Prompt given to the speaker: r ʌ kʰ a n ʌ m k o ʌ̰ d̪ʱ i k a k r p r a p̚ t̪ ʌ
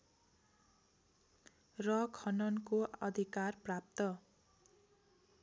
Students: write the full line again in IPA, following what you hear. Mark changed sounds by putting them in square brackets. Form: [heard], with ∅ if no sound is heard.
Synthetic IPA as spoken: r ʌ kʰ [ʌ] n ʌ [n] k o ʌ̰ d̪ʱ i k a [∅] r p r a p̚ t̪ ʌ